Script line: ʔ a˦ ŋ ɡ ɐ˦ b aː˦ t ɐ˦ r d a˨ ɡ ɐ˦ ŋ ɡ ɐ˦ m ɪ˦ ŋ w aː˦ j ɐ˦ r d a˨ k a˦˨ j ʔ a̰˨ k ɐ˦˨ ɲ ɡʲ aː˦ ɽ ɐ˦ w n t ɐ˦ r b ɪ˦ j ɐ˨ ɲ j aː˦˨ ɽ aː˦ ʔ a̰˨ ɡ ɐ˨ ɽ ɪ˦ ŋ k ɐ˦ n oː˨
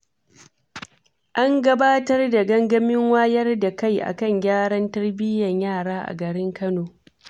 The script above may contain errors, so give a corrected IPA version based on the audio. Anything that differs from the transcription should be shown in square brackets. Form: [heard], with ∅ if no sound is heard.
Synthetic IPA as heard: ʔ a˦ ŋ ɡ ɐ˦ b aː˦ t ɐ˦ r d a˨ ɡ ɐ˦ ŋ ɡ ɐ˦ m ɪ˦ ŋ w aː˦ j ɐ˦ r d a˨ k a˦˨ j ʔ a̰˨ k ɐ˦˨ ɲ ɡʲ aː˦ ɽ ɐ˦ [∅] n t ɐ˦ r b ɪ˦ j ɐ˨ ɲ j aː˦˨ ɽ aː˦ ʔ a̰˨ ɡ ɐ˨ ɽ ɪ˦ ŋ k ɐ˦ n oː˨

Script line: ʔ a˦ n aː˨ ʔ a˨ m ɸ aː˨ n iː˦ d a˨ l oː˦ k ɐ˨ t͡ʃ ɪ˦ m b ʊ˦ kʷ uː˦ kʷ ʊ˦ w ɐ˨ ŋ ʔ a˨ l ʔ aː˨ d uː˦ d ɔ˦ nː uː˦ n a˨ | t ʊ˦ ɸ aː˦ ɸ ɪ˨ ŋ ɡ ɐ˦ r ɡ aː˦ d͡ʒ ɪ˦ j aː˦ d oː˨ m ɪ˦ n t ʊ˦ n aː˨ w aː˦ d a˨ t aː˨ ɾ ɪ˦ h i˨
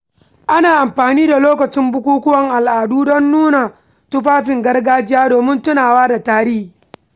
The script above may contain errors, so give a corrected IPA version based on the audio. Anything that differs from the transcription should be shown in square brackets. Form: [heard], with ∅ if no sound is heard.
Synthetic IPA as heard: ʔ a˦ n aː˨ ʔ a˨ m ɸ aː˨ n iː˦ d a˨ l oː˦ k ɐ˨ t͡ʃ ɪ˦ m b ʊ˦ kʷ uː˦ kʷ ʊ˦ w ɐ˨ ŋ ʔ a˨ l ʔ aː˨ d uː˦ d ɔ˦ nː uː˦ n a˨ | t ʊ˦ ɸ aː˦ ɸ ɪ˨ ŋ ɡ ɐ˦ r ɡ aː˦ d͡ʒ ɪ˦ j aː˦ d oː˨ m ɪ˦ n t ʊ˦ n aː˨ w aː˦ d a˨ t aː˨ ɾ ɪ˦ h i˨

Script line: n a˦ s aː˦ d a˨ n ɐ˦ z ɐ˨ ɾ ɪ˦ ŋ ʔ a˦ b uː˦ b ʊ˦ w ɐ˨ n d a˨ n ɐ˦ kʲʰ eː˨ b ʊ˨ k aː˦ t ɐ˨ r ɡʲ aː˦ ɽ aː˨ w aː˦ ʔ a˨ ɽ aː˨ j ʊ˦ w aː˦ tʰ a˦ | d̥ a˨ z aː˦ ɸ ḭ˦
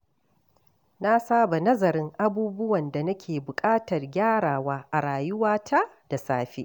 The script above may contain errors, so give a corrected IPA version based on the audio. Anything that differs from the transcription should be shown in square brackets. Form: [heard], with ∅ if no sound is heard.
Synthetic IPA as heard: n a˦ s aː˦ [b] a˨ n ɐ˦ z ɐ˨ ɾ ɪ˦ ŋ ʔ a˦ b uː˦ b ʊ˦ w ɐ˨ n d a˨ n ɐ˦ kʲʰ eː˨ b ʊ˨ [kʼ] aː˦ t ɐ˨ r ɡʲ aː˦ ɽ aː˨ w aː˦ ʔ a˨ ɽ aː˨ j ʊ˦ w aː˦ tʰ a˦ | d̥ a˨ [s] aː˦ ɸ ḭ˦

